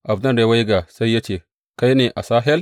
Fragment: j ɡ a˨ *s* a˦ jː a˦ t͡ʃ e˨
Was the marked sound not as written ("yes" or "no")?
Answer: no